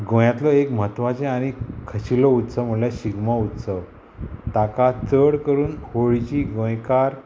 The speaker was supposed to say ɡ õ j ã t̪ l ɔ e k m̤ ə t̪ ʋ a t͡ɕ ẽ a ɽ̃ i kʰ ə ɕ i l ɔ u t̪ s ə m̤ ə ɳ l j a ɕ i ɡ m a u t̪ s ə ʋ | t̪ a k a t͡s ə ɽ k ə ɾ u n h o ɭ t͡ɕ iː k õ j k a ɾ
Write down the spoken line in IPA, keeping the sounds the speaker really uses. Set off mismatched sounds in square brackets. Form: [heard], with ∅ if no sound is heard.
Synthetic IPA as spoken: ɡ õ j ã t̪ l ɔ e k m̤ ə t̪ ʋ a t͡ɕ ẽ a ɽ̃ i kʰ ə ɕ i l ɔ u t̪ s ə m̤ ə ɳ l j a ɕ i ɡ m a u t̪ s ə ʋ | t̪ a k a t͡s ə ɽ k ə ɾ [uː] n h o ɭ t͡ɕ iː [ɡ] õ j k a ɾ